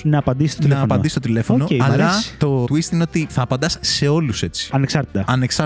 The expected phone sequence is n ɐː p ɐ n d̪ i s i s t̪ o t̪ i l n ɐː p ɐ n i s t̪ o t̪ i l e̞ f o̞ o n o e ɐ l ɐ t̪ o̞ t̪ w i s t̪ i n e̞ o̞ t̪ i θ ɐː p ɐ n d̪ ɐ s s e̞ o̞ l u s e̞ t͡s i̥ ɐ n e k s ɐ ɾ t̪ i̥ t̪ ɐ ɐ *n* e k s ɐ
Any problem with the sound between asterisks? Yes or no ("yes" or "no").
no